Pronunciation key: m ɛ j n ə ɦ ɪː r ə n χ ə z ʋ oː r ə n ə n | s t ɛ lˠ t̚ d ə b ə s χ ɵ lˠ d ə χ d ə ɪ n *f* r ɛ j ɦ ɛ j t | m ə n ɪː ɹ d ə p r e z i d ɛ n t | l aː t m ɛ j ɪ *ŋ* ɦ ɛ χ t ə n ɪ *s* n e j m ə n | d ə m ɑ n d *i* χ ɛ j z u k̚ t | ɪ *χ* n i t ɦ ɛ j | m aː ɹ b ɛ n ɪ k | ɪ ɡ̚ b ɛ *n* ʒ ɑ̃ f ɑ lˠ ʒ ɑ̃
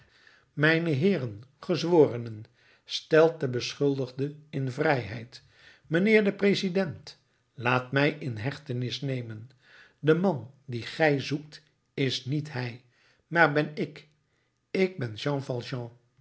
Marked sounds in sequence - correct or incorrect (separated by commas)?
incorrect, incorrect, correct, correct, incorrect, correct